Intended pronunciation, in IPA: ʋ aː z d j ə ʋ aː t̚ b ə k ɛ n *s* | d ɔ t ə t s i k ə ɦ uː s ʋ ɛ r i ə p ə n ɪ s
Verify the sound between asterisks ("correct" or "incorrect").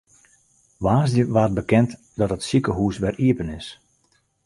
incorrect